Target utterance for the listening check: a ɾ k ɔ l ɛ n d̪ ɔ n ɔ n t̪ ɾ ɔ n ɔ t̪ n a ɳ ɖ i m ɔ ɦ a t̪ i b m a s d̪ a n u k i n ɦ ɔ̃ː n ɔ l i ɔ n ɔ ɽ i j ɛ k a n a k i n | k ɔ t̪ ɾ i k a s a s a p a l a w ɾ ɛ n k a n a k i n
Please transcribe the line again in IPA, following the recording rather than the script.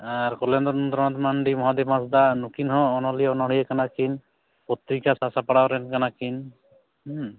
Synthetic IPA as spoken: a ɾ k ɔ l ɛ n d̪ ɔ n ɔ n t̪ ɾ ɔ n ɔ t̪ m a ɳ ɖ i m ɔ ɦ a d̪ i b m a s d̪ a n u k i n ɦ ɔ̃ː n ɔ l i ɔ n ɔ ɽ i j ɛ k a n a k i n | p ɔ t̪ ɾ i k a s a s a p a ɽ a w ɾ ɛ n k a n a k i n